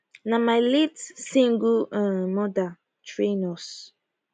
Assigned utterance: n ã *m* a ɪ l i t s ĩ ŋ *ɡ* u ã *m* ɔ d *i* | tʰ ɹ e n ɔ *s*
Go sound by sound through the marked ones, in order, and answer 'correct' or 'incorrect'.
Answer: correct, correct, correct, incorrect: a, correct

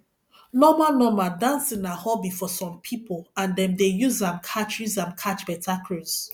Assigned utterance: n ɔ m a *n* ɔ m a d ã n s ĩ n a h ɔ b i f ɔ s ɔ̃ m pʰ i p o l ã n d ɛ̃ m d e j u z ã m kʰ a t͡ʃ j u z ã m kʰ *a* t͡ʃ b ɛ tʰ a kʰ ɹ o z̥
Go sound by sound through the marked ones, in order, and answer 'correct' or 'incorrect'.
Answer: correct, correct

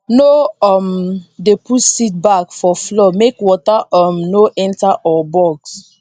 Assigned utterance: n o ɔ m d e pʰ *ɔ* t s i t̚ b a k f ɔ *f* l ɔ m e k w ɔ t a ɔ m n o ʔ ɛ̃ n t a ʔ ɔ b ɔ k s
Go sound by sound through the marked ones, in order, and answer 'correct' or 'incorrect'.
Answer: incorrect: u, correct

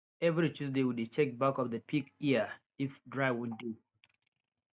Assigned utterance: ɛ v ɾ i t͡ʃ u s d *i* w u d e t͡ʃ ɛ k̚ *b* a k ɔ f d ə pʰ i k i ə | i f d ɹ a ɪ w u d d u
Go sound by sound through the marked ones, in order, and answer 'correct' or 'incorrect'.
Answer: incorrect: e, correct

